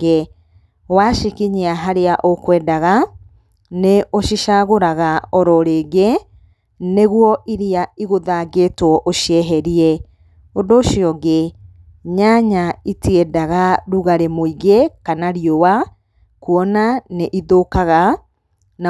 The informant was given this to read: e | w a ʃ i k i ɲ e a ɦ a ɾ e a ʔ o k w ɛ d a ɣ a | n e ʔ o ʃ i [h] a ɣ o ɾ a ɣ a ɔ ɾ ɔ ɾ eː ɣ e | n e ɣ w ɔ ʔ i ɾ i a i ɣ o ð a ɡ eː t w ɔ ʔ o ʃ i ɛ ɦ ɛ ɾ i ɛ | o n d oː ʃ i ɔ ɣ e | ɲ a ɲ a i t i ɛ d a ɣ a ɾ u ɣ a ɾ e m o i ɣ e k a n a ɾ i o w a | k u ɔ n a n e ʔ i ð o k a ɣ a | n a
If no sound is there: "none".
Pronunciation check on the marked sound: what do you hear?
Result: ʃ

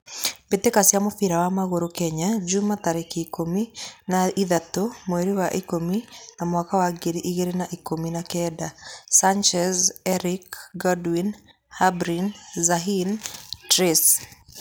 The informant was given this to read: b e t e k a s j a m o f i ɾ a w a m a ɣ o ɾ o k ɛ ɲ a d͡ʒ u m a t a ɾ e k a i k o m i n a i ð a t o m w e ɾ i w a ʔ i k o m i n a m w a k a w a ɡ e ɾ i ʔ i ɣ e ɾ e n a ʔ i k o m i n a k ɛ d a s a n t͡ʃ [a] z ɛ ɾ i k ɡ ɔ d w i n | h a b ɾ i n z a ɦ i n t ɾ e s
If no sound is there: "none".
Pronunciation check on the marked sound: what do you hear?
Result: ɛ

